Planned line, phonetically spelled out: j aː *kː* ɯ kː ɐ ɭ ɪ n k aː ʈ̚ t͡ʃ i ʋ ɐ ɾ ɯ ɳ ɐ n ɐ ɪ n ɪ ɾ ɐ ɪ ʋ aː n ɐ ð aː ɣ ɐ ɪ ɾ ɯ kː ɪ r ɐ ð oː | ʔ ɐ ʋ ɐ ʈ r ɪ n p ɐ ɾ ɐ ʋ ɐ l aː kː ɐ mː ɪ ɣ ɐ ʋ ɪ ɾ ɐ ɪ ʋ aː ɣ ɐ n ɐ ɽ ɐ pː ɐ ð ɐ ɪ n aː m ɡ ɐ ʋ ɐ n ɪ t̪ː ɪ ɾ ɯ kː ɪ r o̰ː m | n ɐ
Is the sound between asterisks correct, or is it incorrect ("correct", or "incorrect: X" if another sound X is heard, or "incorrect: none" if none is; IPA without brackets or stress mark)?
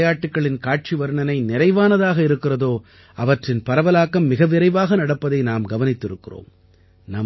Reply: incorrect: ʈː